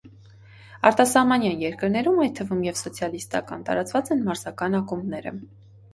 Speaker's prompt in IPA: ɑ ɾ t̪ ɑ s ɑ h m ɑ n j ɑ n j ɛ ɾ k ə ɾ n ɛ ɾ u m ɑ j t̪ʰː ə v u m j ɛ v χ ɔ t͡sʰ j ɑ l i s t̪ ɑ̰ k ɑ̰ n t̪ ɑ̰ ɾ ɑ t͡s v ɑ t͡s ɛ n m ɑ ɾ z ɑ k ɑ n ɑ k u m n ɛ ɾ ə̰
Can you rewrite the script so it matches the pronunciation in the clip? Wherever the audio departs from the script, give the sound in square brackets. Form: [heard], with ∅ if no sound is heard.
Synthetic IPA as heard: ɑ ɾ t̪ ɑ s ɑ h m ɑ n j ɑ n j ɛ ɾ k ə ɾ n ɛ ɾ u m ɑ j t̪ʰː ə v u m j ɛ v [s] ɔ t͡sʰ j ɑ l i s t̪ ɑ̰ k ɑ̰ n t̪ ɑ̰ ɾ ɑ t͡s v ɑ t͡s ɛ n m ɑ ɾ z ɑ k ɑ n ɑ k u m n ɛ ɾ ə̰